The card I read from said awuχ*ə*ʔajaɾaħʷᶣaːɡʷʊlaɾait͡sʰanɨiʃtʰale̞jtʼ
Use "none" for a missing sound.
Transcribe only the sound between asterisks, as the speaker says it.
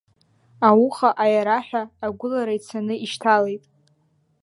a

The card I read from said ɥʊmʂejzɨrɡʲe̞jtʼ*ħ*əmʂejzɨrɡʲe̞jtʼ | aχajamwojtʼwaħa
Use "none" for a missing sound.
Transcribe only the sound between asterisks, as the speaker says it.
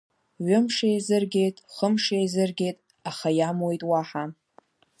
χ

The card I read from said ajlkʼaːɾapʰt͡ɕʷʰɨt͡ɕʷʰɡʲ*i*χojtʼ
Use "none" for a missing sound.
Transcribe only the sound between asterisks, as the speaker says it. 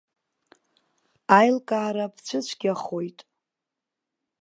a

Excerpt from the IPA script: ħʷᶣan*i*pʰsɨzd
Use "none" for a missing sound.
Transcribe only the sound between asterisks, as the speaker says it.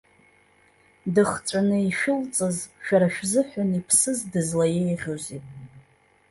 i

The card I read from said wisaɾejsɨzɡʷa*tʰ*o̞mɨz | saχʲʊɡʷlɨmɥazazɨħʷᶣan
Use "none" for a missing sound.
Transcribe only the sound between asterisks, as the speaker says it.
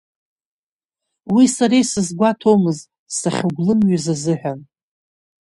tʰ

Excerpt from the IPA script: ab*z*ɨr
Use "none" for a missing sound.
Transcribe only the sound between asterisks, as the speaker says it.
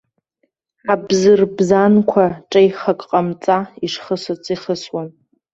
z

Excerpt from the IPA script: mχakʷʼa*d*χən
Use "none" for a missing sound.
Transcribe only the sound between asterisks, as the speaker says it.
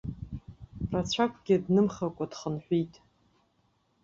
d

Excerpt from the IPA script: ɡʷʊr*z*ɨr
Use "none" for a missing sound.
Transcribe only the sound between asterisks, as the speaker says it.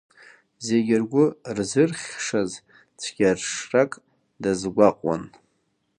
z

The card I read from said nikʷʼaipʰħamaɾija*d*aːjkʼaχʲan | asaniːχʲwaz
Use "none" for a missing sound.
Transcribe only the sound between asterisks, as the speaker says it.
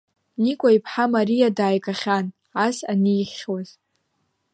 d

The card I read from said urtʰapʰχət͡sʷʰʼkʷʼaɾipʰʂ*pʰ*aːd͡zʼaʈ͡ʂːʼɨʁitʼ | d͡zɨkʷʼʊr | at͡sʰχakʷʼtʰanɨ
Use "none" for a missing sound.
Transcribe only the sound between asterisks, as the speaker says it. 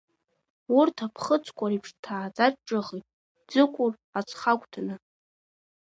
tʰ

